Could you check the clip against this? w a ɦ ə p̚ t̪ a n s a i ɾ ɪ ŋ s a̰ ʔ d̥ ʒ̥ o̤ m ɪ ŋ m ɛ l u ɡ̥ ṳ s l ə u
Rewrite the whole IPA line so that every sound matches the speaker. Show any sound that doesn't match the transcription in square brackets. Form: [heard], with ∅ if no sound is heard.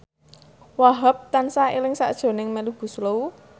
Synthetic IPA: w a ɦ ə p̚ t̪ a n s a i [l] ɪ ŋ s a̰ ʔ d̥ ʒ̥ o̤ [n] ɪ ŋ m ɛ l u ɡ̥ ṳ s l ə u